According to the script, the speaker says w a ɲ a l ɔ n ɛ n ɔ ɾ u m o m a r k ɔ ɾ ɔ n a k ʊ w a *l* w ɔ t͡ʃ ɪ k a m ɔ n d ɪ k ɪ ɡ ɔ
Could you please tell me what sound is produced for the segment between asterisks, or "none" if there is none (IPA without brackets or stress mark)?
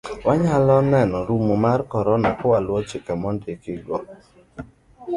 l